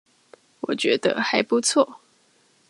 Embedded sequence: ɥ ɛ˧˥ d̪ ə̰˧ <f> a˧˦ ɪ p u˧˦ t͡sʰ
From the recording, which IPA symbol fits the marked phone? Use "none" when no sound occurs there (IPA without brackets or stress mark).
x